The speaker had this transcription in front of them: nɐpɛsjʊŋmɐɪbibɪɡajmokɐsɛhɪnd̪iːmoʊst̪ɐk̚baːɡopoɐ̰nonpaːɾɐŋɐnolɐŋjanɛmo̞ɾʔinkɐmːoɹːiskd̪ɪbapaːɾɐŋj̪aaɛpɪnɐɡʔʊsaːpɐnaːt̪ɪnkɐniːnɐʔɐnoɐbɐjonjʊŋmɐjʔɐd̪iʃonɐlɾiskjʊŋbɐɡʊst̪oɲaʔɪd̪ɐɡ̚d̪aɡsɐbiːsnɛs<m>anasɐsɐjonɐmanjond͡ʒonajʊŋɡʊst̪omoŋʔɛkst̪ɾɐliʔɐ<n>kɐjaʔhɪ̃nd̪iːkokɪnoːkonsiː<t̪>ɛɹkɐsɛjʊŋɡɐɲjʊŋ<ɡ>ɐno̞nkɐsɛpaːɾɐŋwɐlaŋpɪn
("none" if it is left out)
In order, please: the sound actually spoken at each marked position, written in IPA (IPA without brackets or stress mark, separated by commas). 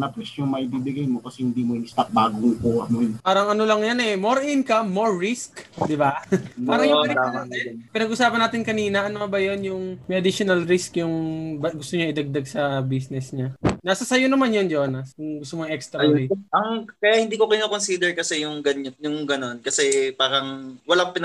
ɲ, ŋ, d̪, ɡ